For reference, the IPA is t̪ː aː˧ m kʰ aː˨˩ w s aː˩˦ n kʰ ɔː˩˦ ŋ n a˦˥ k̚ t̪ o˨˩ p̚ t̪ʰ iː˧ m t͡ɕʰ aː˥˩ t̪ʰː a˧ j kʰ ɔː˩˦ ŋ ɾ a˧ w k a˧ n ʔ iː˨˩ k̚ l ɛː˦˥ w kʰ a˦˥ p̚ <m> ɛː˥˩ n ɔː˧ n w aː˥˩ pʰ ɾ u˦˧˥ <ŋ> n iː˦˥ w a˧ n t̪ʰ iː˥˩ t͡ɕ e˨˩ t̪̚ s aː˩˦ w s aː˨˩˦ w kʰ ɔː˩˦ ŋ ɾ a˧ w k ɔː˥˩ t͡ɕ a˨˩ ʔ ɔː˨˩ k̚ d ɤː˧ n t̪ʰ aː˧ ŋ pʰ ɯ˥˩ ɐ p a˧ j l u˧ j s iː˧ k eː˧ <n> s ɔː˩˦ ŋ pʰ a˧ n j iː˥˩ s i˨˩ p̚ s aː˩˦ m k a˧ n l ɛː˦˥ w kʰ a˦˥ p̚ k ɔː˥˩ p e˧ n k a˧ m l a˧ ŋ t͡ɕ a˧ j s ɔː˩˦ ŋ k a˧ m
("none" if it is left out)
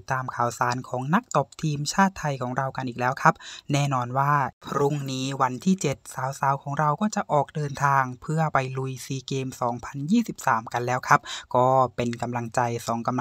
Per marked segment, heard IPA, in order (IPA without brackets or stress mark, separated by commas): n, ŋ, m